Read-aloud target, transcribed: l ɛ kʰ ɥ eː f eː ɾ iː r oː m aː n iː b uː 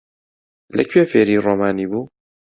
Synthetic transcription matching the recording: l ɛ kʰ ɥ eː f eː ɾ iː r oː m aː n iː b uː

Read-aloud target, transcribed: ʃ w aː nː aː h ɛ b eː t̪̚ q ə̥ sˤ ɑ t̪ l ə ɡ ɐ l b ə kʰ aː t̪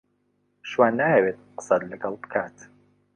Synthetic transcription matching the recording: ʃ w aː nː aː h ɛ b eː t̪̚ q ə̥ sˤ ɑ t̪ l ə ɡ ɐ l b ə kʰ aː t̪

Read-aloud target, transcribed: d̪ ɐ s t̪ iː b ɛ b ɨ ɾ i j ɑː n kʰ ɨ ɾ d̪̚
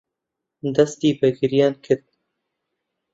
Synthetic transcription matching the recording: d̪ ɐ s t̪ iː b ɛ ɡ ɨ ɾ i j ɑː n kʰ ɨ ɾ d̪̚

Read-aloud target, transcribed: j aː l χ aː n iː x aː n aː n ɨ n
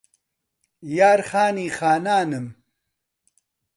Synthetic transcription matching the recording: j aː ɾ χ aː n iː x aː n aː n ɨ m

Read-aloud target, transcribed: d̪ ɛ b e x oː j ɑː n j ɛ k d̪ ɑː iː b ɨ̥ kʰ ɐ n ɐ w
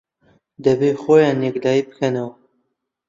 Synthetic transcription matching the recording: d̪ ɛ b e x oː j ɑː n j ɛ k d̪ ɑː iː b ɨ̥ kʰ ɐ n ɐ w

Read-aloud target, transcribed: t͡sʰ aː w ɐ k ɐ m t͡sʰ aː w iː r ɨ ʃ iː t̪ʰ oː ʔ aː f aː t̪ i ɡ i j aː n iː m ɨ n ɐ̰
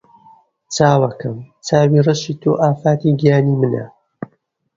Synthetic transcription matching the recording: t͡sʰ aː w ɐ k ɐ m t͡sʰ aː w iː r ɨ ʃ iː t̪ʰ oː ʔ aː f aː t̪ i ɡ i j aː n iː m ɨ n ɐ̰

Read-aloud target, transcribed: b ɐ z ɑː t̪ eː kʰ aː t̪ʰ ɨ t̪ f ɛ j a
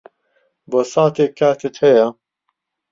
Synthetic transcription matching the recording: b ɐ s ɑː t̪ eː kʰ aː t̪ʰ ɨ t̪ h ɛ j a

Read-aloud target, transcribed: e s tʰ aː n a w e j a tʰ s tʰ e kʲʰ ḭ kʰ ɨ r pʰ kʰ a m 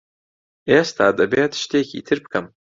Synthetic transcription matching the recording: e s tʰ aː d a b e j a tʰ ʃ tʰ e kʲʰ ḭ tʰ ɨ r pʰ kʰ a m

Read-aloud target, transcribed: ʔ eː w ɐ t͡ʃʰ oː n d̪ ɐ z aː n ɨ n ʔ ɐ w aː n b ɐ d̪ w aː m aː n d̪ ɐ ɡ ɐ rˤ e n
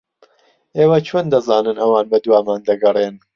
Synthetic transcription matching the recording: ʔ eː w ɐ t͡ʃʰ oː n d̪ ɐ z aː n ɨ n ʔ ɐ w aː n b ɐ d̪ w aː m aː n d̪ ɐ ɡ ɐ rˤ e n

